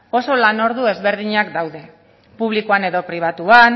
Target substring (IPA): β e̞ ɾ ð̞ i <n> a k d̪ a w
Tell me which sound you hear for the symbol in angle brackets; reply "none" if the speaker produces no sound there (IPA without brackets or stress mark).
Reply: ɲ